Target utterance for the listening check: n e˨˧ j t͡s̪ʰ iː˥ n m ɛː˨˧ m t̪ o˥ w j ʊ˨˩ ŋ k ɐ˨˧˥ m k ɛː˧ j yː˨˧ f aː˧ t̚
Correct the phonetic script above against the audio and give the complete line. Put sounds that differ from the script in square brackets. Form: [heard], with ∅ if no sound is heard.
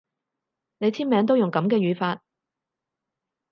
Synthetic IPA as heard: n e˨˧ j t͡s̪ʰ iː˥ n m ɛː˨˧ [ŋ] t̪ o˥ w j ʊ˨˩ ŋ k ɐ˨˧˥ m k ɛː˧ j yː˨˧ f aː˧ t̚